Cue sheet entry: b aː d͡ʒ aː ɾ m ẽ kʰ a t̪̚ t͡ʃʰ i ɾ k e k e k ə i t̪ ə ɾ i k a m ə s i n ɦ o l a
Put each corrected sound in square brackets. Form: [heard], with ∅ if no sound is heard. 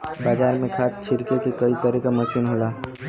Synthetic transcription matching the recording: b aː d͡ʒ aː ɾ m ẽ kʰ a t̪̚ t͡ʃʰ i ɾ k e k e k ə i t̪ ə ɾ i k a m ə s i n ɦ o l a